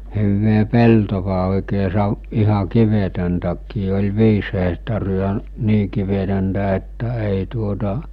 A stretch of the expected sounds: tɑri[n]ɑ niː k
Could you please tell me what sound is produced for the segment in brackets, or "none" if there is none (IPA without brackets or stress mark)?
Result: none